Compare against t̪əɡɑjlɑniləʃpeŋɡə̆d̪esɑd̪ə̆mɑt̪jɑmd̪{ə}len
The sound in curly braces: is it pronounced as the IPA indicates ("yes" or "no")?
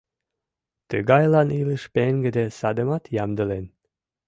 yes